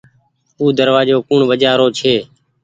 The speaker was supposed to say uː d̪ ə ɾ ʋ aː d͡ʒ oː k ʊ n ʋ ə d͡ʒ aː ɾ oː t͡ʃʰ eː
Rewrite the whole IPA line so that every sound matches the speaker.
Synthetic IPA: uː d̪ ə ɾ ʋ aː d͡ʒ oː k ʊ ɳ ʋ ə d͡ʒ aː ɾ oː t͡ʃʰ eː